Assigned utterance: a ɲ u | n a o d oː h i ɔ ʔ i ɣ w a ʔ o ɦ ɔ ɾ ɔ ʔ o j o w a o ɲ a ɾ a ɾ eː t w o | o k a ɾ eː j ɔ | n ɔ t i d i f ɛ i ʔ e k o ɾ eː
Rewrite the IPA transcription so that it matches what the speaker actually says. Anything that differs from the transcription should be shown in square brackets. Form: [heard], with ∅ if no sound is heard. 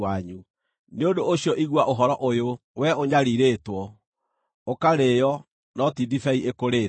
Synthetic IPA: a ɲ u | n [e] o d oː [ɕ] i ɔ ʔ i ɣ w a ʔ o ɦ ɔ ɾ ɔ ʔ o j o w [ɛ] o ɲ a ɾ [i] ɾ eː t w [ɔ] | o k a ɾ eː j ɔ | n ɔ t i d i f ɛ i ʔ e k o ɾ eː